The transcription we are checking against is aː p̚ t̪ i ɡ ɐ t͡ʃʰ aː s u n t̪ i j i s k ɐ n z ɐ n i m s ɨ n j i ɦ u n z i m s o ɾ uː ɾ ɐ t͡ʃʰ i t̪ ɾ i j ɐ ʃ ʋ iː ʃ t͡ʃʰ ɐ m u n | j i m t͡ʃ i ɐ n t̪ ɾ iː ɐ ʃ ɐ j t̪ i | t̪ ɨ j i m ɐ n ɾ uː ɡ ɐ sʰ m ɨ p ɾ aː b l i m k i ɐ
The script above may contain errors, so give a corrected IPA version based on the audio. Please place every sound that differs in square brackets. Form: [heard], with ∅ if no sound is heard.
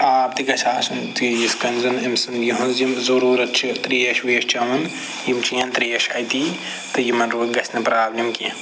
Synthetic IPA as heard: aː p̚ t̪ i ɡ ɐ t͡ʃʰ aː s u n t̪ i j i s k ɐ n z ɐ n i m s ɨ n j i ɦ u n z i m [z] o ɾ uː ɾ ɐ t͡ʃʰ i t̪ ɾ i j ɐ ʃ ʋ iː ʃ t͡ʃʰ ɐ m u n | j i m t͡ʃ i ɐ n t̪ ɾ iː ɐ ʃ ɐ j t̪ i | t̪ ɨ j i m ɐ n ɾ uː ɡ ɐ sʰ [n] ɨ p ɾ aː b l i m k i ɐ